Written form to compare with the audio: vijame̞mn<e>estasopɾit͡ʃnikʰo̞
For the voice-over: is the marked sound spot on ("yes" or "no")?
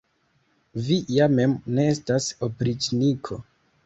yes